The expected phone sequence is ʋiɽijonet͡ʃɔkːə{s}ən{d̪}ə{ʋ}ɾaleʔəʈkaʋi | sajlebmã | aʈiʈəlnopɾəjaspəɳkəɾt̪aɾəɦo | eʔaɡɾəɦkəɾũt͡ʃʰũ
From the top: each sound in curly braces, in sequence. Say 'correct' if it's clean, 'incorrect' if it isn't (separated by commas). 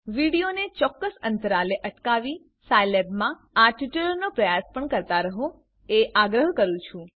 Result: correct, incorrect, incorrect